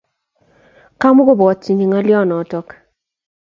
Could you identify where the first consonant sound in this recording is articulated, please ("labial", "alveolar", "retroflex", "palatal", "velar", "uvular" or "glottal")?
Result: velar